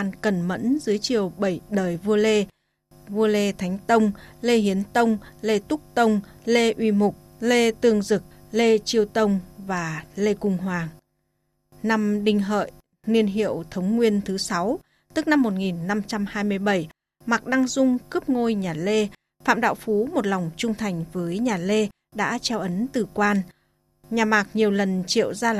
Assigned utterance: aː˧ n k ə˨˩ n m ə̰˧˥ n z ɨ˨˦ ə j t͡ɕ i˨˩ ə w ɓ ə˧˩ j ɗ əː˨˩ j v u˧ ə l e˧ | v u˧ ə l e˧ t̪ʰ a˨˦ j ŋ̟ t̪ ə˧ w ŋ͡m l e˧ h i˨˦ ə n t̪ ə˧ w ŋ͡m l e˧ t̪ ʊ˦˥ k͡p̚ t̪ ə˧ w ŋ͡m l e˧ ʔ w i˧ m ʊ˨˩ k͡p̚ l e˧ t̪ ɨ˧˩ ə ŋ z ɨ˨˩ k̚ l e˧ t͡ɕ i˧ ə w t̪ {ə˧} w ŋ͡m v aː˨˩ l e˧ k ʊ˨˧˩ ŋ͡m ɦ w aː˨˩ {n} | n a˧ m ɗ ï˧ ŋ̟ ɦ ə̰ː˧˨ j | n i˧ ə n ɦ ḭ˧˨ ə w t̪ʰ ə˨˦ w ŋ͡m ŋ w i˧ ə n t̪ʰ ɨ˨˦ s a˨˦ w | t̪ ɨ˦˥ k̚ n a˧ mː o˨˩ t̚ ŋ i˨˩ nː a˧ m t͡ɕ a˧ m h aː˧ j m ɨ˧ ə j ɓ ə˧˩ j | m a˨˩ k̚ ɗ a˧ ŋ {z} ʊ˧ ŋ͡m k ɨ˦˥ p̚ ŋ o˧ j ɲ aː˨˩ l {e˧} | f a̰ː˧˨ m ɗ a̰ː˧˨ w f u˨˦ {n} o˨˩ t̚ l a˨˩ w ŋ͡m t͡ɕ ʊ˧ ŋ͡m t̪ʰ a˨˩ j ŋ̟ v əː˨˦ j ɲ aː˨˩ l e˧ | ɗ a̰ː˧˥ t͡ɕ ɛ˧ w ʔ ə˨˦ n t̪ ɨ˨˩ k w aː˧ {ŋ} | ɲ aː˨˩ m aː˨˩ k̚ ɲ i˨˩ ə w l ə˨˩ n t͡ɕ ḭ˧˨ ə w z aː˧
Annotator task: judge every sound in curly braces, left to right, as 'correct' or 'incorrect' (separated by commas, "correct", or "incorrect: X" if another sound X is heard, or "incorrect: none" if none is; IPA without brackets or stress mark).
correct, incorrect: ŋ, correct, correct, incorrect: m, incorrect: n